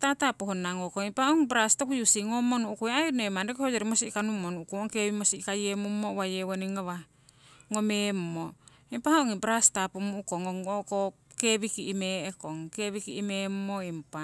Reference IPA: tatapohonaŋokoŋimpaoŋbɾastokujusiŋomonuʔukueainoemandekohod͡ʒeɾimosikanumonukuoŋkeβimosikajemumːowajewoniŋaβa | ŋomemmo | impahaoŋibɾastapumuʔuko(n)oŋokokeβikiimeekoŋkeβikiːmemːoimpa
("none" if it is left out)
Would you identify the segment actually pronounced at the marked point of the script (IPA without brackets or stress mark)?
ŋ